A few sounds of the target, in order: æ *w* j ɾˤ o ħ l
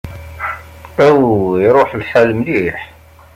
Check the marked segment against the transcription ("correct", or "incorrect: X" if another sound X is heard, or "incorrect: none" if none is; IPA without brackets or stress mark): correct